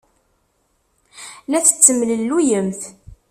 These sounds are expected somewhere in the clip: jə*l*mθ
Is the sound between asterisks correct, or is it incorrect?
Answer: incorrect